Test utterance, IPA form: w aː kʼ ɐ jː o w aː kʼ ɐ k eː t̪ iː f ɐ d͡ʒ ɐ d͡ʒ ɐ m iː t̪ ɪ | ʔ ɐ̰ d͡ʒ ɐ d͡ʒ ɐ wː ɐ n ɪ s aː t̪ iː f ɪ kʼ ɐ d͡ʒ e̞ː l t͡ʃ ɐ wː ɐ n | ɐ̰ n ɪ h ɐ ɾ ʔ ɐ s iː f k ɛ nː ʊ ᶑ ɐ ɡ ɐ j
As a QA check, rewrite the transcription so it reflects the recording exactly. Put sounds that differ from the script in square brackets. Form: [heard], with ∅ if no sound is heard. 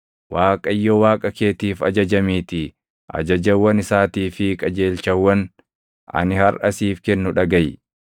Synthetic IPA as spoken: w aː kʼ ɐ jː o w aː kʼ ɐ k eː t̪ iː f ɐ d͡ʒ ɐ d͡ʒ ɐ m iː t̪ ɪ | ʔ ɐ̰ d͡ʒ ɐ d͡ʒ ɐ wː ɐ n ɪ s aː t̪ iː f ɪ kʼ ɐ d͡ʒ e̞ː l t͡ʃ ɐ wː ɐ n | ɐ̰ n ɪ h ɐ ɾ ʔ ɐ s iː f k ɛ nː ʊ ᶑ ɐ ɡ ɐ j